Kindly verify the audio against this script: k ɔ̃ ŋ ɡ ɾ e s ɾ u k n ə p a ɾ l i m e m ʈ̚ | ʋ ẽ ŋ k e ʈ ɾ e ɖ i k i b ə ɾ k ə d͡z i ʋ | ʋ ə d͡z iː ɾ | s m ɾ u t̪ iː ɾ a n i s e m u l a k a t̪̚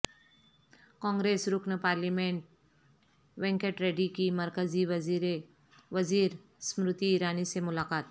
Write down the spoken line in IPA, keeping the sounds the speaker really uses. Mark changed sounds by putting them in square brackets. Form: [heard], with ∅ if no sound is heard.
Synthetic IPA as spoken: k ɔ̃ ŋ ɡ ɾ e s ɾ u k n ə p a ɾ l i m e [ɳ] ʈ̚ | ʋ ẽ ŋ k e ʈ ɾ e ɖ i k i [m] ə ɾ k ə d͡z i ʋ | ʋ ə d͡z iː ɾ | s m ɾ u t̪ iː ɾ a n i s e m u l a k a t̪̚